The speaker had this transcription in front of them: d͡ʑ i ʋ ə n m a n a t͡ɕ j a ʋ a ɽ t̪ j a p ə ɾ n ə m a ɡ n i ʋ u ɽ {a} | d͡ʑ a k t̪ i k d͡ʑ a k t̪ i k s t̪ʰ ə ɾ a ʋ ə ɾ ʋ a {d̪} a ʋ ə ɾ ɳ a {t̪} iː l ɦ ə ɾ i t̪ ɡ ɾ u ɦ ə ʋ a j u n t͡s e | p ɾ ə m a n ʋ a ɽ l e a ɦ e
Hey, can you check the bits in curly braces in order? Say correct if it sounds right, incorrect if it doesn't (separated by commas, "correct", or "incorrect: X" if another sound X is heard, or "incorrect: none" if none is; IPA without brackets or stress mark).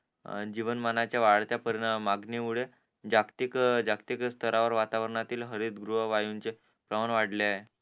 incorrect: e, incorrect: t̪, correct